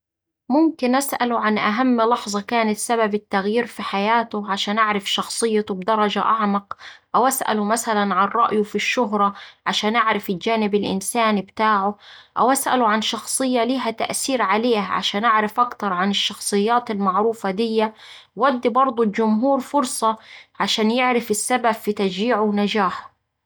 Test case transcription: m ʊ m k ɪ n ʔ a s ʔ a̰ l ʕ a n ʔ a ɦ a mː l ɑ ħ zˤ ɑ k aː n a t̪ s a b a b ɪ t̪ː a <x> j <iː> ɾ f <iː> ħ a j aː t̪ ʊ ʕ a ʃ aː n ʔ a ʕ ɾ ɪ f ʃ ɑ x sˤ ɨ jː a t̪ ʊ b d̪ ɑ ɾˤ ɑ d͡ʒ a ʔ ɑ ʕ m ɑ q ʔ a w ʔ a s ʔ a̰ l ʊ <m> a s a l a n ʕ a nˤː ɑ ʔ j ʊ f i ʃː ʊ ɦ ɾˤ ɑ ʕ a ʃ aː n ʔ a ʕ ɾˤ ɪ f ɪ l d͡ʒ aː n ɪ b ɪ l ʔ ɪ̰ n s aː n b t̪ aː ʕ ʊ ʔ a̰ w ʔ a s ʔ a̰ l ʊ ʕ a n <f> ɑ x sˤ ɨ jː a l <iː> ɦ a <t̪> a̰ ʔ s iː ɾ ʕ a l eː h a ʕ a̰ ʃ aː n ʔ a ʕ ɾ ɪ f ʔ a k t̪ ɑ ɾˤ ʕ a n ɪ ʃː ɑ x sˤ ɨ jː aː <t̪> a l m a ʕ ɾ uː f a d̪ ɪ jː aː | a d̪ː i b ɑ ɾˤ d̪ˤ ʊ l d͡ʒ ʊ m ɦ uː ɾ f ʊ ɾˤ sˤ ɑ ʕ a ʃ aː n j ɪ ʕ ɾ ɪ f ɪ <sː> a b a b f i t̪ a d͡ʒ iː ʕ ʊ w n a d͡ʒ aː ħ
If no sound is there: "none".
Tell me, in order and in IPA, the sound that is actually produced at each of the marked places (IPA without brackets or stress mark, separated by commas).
ɣ, iː, i, m, ʃ, iː, t̪, t̪, sː